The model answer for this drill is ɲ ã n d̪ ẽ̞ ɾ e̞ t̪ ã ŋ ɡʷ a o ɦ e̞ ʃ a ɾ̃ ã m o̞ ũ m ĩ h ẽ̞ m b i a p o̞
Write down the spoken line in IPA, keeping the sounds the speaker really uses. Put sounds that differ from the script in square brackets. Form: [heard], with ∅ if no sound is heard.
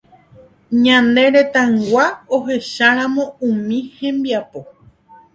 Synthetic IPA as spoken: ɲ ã n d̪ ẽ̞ ɾ e̞ t̪ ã ŋ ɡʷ a o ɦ e̞ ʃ a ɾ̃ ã m [õ̞] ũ m ĩ h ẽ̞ m b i a p o̞